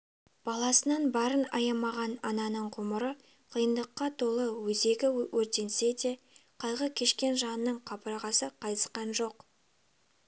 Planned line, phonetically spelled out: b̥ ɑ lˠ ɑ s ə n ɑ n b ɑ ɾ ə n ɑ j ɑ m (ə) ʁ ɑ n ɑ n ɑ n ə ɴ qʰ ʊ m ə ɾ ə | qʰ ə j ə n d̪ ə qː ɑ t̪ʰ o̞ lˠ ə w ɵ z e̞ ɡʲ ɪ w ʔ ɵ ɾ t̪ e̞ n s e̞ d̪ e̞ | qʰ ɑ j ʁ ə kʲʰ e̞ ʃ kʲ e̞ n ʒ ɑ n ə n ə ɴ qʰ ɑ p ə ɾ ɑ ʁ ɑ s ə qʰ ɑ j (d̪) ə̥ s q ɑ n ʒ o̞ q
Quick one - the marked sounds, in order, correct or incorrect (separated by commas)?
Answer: incorrect, incorrect